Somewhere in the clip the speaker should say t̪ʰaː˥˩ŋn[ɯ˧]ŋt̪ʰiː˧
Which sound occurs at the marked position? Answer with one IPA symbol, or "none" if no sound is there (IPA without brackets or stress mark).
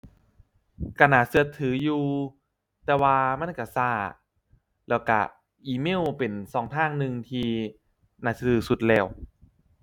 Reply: ɯ˧